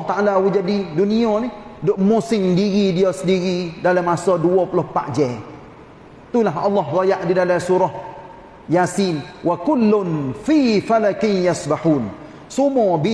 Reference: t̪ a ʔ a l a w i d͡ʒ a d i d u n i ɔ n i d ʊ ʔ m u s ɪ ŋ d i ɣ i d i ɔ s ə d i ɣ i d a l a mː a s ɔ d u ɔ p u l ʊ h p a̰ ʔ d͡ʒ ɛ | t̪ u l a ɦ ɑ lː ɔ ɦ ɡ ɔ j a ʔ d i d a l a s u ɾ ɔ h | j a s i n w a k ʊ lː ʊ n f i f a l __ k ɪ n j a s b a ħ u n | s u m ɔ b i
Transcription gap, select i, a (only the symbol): a